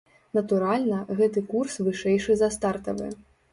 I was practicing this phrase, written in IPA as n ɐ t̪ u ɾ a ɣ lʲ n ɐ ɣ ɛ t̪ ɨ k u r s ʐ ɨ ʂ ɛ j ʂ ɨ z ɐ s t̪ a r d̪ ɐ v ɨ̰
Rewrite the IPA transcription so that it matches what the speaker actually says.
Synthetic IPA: n ɐ t̪ u ɾ a lʲ n ɐ ɣ ɛ t̪ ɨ k u r s v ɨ ʂ ɛ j ʂ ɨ z ɐ s t̪ a r t̪ ɐ v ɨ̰